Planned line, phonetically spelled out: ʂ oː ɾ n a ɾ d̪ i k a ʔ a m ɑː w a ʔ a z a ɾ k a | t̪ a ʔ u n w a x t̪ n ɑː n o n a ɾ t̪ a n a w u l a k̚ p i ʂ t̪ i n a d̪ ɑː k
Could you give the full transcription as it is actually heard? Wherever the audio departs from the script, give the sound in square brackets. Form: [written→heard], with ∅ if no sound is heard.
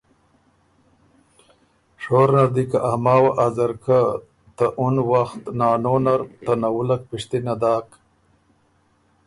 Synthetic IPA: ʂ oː ɾ n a ɾ d̪ i k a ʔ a m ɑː w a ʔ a z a ɾ k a | t̪ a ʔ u n w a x t̪ n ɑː n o n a ɾ t̪ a n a w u l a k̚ p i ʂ t̪ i n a d̪ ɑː k